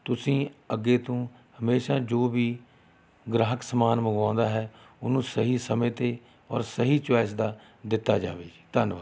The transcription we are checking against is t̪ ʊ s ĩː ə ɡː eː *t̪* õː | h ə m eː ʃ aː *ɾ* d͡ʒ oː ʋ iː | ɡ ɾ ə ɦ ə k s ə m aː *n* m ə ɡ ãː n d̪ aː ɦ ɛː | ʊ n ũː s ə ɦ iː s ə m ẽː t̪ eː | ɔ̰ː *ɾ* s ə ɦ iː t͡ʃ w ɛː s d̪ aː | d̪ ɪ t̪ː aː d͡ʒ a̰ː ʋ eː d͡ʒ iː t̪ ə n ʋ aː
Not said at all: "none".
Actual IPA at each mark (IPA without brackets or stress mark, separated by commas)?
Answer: t̪, none, n, ɾ